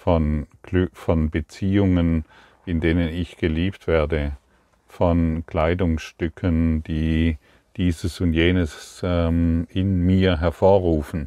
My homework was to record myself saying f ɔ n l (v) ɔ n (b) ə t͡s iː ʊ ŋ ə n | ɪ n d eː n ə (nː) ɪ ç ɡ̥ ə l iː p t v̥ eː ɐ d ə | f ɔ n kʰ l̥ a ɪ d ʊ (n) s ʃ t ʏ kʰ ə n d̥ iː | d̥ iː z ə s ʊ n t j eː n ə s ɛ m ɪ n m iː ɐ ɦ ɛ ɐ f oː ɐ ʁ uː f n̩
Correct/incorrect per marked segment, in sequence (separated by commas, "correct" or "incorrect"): incorrect, correct, incorrect, incorrect